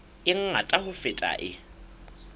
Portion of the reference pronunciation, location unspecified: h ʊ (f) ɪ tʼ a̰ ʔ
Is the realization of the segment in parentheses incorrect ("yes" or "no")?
no